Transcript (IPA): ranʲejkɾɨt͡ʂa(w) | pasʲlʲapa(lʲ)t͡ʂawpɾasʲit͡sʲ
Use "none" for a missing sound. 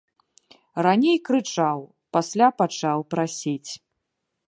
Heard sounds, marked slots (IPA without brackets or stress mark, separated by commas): w, none